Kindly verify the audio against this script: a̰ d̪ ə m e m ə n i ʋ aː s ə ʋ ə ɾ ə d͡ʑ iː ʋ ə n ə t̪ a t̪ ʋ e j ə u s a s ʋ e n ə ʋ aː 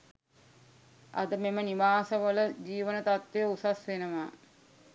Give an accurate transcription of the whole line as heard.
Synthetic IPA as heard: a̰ d̪ ə m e m ə n i ʋ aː s ə ʋ ə l ə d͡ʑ iː ʋ ə n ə t̪ a t̪ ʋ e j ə u s a s ʋ e n ə ʋ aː